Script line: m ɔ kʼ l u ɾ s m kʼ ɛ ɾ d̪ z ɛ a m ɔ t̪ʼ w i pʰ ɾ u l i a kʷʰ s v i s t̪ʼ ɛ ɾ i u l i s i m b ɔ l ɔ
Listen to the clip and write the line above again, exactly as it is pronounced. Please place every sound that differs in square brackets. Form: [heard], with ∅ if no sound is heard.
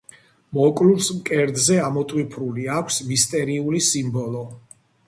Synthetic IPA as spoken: m ɔ kʼ l u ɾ s m kʼ ɛ ɾ d̪ z ɛ a m ɔ t̪ʼ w i pʰ ɾ u l i a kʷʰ s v i s t̪ʼ ɛ ɾ i u l i s i m b ɔ l ɔ